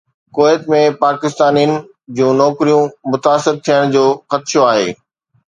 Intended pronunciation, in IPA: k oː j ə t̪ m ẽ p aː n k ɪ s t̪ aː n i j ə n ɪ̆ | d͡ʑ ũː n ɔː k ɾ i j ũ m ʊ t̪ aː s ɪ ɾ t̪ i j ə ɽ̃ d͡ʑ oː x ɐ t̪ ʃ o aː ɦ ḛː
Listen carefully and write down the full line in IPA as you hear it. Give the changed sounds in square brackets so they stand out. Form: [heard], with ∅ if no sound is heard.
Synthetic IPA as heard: k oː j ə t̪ m ẽ p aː [∅] k ɪ s t̪ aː n i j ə n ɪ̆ | d͡ʑ ũː n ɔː k ɾ i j ũ m ʊ t̪ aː s ɪ ɾ [t̪ʰ] i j ə ɽ̃ d͡ʑ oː x ɐ t̪ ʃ o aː ɦ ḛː